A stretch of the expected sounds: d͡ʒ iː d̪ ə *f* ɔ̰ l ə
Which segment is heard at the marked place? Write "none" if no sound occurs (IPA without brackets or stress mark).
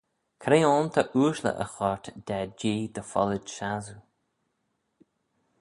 f